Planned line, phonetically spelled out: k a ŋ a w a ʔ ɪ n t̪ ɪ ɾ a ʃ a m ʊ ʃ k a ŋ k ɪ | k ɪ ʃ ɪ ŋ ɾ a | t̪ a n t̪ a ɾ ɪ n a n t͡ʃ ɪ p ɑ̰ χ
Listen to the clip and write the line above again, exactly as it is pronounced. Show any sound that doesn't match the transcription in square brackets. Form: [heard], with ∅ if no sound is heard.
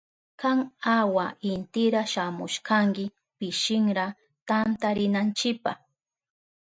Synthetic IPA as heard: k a ŋ a w a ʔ ɪ n t̪ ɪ ɾ a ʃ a m ʊ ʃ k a ŋ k ɪ | [p] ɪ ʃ ɪ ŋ ɾ a | t̪ a n t̪ a ɾ ɪ n a n t͡ʃ ɪ p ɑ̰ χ